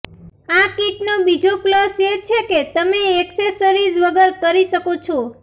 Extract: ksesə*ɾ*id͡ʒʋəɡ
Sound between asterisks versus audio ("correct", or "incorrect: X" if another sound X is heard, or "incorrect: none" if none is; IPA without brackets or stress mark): correct